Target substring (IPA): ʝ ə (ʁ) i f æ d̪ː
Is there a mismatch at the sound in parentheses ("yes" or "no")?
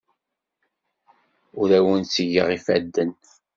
no